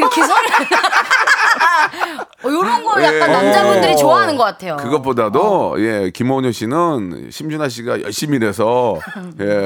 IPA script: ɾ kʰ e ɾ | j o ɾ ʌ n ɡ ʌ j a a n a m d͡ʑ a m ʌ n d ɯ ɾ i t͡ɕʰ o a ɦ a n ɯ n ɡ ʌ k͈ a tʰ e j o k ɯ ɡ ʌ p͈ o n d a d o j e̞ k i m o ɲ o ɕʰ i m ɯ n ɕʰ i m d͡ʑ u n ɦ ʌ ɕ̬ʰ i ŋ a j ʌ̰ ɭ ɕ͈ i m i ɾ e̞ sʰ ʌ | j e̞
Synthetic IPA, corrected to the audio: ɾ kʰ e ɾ | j o ɾ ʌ n ɡ ʌ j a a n a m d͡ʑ a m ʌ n d ɯ ɾ i t͡ɕ o a ɦ a n ɯ n ɡ ʌ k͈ a tʰ e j o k ɯ ɡ ʌ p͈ o d a d o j e̞ k i m o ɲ o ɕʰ i n ɯ n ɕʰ i m d͡ʑ u n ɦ a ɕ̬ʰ i ɡ a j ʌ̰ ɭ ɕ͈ i m i ɾ e̞ sʰ ʌ | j e̞